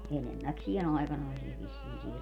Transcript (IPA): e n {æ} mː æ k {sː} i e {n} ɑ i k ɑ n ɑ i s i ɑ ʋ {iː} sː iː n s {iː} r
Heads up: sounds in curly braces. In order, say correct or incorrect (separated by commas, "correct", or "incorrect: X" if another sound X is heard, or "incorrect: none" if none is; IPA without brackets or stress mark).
incorrect: e, incorrect: s, correct, incorrect: i, correct